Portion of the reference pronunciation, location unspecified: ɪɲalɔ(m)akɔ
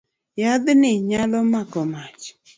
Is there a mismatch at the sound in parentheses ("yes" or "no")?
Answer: no